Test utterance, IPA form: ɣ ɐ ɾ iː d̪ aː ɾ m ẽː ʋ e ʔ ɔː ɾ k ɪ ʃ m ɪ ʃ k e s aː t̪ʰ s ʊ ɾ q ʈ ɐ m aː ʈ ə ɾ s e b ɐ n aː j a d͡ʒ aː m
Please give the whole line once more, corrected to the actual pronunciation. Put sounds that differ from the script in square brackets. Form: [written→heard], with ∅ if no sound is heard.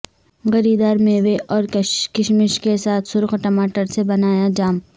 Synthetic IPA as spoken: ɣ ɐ ɾ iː d̪ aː ɾ m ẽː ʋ e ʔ ɔː ɾ k ɪ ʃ m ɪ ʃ k e s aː t̪ʰ s ʊ ɾ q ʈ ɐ m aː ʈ ə ɾ s e b ɐ n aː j a d͡ʒ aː m